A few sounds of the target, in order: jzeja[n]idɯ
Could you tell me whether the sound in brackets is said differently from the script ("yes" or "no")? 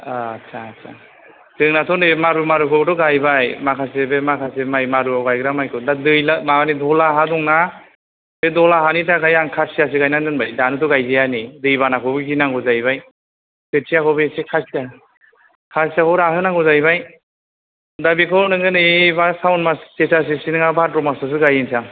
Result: no